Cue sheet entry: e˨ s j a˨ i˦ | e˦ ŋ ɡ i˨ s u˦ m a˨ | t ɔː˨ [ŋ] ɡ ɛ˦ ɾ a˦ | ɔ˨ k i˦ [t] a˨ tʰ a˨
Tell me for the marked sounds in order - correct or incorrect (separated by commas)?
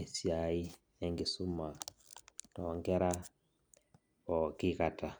correct, incorrect